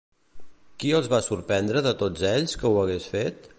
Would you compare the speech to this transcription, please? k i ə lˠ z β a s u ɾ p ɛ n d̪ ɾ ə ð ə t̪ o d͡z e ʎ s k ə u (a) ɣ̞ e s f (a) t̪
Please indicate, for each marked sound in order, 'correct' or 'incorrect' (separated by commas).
incorrect, incorrect